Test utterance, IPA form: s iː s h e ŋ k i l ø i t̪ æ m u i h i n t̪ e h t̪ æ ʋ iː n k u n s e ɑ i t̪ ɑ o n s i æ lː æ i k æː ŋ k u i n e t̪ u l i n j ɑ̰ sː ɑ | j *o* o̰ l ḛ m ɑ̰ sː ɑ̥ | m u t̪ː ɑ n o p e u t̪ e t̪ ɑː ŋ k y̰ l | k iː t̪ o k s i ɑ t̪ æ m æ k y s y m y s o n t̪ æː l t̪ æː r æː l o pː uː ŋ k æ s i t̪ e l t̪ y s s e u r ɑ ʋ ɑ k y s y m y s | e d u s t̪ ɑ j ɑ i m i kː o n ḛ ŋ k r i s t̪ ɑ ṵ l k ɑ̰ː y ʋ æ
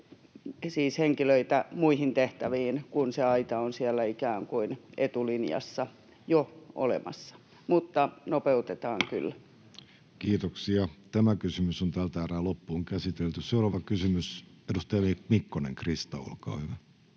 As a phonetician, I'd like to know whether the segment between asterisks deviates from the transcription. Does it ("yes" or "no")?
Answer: no